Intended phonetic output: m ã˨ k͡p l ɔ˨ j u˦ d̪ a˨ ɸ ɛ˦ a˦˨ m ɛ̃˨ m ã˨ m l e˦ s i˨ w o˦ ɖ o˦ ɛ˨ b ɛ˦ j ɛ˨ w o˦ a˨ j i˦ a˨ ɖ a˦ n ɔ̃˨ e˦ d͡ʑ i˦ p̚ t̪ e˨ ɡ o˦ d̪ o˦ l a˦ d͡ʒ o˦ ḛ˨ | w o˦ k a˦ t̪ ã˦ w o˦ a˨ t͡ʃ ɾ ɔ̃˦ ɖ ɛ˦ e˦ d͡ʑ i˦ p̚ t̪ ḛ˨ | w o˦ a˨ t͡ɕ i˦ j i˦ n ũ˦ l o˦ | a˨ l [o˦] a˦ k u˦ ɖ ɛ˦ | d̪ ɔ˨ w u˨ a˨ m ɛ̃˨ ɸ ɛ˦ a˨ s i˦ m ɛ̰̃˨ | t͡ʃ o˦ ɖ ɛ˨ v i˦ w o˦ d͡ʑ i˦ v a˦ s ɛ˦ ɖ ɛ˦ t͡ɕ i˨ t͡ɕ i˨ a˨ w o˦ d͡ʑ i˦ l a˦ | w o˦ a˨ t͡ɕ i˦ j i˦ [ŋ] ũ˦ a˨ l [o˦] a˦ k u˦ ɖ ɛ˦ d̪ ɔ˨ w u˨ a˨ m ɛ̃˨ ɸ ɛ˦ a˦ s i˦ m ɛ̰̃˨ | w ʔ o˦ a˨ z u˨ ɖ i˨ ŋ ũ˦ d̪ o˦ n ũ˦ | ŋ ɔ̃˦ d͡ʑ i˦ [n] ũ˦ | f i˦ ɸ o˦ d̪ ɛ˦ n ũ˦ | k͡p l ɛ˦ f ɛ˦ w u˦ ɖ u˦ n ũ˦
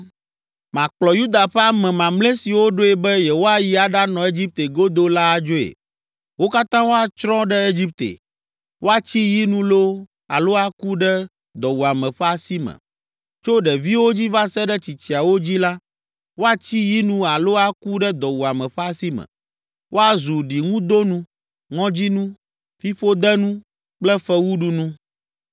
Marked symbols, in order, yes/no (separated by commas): yes, no, yes, yes